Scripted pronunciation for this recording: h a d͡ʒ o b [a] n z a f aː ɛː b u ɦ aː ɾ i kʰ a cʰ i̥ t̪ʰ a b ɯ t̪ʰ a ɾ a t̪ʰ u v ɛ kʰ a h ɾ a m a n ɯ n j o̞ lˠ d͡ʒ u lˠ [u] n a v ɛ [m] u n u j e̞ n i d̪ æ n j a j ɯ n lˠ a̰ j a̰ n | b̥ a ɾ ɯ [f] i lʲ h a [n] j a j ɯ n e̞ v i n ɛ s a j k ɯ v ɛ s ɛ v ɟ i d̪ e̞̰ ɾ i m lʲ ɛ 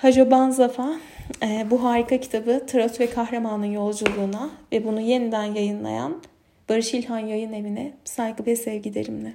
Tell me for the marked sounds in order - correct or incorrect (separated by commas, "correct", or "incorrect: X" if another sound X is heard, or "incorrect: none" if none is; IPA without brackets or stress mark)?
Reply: correct, incorrect: uː, incorrect: b, incorrect: ʃ, correct